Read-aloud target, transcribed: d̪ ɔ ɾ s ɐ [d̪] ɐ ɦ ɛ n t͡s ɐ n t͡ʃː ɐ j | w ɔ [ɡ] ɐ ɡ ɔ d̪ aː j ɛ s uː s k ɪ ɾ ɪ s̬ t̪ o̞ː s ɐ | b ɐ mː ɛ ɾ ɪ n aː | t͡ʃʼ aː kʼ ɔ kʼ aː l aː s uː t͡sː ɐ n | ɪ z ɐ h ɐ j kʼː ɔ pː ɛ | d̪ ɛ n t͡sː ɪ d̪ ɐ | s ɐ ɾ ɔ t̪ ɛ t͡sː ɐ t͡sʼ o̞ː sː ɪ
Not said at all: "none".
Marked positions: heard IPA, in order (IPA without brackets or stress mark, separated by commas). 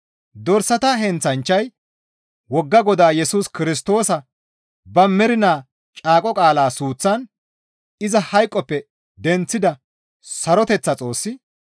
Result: t̪, ɡː